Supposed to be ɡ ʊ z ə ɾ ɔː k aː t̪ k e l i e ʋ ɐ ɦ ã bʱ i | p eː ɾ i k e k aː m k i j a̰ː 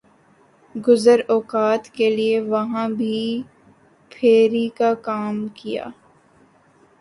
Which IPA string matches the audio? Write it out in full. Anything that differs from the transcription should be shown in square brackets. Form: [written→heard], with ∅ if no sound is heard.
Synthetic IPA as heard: ɡ ʊ z ə ɾ ɔː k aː t̪ k e l i e ʋ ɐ ɦ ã bʱ i | [p→pʰ] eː ɾ i k [e→a] k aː m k i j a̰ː